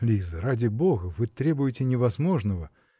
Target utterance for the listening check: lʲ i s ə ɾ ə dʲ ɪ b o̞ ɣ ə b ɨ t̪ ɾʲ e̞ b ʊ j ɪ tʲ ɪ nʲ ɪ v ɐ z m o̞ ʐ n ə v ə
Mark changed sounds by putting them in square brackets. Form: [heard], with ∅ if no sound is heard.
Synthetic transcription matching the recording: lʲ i [z] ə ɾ [a] dʲ ɪ b o̞ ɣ ə [v] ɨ t̪ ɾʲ e̞ b ʊ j ɪ tʲ ɪ nʲ ɪ v ɐ z m o̞ ʐ n ə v ə